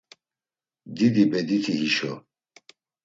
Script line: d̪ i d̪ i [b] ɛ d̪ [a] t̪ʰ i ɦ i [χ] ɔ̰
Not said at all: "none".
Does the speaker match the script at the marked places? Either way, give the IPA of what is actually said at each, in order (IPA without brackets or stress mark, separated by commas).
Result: b, i, ʃ